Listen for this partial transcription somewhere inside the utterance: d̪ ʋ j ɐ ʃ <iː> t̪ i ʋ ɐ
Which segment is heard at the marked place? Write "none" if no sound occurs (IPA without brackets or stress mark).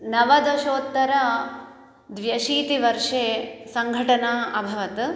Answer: iː